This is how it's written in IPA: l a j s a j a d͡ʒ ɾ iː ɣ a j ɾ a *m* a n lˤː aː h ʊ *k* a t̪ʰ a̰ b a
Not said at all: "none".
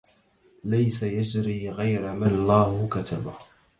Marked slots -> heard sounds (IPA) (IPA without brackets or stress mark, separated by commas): m, k